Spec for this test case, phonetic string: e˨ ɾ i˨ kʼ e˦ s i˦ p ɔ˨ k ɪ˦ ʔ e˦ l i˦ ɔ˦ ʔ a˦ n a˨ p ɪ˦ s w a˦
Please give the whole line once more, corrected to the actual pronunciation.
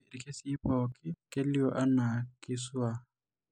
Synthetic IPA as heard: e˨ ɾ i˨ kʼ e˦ s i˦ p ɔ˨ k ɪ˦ k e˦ l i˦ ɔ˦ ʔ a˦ n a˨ k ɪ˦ s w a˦